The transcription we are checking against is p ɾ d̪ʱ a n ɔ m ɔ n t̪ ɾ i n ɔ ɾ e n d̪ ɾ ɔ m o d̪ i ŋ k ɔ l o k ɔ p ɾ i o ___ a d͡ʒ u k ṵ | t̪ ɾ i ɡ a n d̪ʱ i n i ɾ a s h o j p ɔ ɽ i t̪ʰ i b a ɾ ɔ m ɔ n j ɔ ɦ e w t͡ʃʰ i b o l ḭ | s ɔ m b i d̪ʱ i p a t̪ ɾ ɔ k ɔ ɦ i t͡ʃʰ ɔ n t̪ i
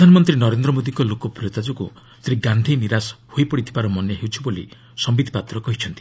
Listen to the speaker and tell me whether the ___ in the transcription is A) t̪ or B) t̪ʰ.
A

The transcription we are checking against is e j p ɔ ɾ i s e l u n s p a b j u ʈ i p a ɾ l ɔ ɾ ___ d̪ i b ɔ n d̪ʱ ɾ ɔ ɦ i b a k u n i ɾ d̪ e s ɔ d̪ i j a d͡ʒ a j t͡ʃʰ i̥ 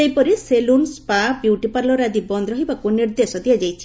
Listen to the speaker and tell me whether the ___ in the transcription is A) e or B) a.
B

